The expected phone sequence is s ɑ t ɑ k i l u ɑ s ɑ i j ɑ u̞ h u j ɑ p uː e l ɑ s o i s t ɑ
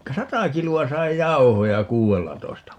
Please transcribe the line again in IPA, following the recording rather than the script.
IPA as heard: s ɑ t ɑ k i l u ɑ s ɑ i j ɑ u̞ h o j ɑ k uː e lː ɑ t o i s t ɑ

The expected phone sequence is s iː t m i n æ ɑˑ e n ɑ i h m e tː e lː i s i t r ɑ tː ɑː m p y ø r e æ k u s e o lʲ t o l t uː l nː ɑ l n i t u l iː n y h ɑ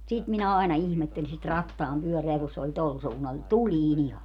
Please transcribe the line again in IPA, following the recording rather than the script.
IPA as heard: s i t m i n æ ɑˑ e n ɑ i h m e tː e l i s i t r ɑ tː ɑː m p y ø r e æ k u s e o lʲ t o l s uː nː ɑ l n i t u l iː n i h ɑ

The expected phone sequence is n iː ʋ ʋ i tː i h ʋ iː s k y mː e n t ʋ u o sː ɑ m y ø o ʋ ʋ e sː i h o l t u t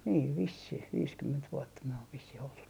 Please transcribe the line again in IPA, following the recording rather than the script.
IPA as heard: n iː ʋ ʋ i sː i h ʋ iː s k y mː e n t ʋ u o tː ɑ m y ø o ʋ ʋ i sː i h o l t u t

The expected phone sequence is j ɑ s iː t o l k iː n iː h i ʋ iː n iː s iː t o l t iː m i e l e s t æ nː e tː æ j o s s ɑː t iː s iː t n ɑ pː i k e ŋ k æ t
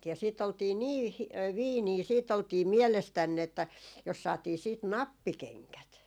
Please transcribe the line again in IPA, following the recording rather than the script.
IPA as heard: j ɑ s iː t o l t iː n iː h i ʋ iː n iː s iː t o l t iː m i e l e s t æ nː e tː æ j o s s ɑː t iː s iː t n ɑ pː i k e ŋ k æ t

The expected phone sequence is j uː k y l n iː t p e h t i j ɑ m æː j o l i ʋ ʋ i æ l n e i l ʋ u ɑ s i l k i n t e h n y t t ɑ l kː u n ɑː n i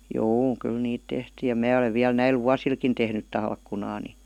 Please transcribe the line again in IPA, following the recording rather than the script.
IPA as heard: j uː k y l n iː t t e h t iː j ɑ m æː o l e ʋ ʋ i æ l n æ i l ʋ u ɑ s i l k i n t e h n y t t ɑ l kː u n ɑː n i

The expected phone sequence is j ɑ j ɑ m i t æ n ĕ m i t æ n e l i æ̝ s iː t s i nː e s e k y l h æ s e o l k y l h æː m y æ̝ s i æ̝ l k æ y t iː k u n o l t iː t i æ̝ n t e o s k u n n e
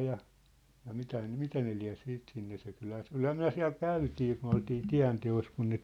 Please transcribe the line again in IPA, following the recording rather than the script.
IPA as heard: j ɑ j ɑ m i t æ n ĕ m i t æ n e l i æ̝ s iː t s i nː e s e k y l h æ s e o l k y l h æː m y æ̝ s i æ̝ l k æ y t iː k u n o l t iː t i æ̝ n t e o s k u n n e

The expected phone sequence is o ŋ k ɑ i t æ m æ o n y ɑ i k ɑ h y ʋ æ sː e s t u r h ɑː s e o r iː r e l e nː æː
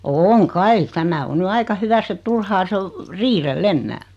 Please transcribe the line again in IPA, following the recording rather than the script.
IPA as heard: oː ŋ k ɑ i t æ m æ o n y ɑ i k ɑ h y ʋ æ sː e t t u r h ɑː s e o r iː r e lː e nː æː

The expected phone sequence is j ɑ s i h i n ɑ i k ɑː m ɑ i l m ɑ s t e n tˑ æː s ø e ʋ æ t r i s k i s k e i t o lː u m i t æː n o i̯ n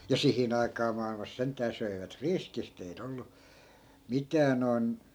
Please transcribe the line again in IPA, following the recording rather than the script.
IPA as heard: j ɑ s i h i n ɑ i k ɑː m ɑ i l m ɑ s s e n tˑ æː s ø i ʋ æ t r i s k i s t e i t o lː u m i t æː n o i̯ n

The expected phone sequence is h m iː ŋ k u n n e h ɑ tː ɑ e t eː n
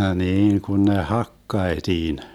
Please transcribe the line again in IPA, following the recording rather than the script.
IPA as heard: h n iː ŋ k u n n e h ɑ kː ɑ e t iː n

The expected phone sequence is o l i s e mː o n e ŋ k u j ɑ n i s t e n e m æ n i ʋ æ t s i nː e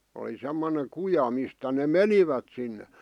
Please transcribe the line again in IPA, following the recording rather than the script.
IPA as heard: o l i s e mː o n e ŋ k u j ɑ m i s t æ n e m e n i ʋ æ t s i nː e

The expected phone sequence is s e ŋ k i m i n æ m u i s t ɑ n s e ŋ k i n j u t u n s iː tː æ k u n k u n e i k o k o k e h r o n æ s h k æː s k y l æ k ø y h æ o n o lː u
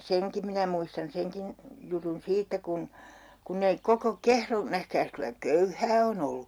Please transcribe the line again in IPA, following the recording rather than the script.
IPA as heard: s e ŋ k i m i n æ m u i s t ɑ n s e ŋ k i n j u t u n s iː tː æ k u n k u nː e i k o k o k e h r o n æ h k æː s k y l æ k ø y h æː o n o lː u

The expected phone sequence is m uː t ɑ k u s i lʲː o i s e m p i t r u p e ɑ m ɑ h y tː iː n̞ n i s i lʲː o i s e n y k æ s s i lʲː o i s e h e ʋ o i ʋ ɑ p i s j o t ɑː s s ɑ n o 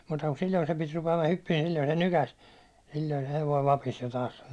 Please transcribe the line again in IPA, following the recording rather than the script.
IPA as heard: m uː t ɑ k u s i lʲː o i s e m p i t r u p e ɑ m ɑ h y pː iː n̞ n i s i lʲː o i s e n y k æ s s i lʲː o i s e h e ʋ o i ʋ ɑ p i s j o t ɑː s s ɑ n o

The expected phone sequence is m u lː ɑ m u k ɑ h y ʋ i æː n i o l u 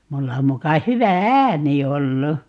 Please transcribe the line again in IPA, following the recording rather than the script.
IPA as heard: m u lː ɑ m u k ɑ h y ʋ æ æː n i o lː u

